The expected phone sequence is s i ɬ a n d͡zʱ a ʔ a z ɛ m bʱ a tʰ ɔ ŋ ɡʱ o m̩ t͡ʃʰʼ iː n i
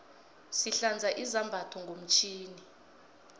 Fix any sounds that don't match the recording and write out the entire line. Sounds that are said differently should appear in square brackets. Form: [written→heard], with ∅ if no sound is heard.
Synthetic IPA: s i ɬ a n d͡zʱ a ʔ [a→i] z [ɛ→a] m bʱ a tʰ ɔ ŋ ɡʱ o m̩ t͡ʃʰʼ iː n i